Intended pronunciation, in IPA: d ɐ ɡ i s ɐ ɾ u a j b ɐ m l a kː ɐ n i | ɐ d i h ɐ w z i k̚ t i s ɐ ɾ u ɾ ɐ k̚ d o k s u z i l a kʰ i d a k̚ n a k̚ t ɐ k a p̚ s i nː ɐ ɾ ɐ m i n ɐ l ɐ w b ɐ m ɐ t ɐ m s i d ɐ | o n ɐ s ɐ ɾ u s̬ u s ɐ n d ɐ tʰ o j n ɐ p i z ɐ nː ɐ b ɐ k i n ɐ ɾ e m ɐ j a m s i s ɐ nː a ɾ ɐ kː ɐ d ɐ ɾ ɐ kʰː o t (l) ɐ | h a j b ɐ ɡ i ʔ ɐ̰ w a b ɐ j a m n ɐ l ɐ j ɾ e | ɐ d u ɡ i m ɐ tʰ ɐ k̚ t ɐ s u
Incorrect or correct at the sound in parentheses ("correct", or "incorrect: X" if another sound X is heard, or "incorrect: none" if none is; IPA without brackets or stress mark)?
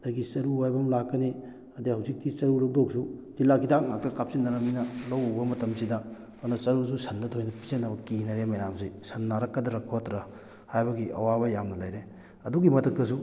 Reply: incorrect: ɾ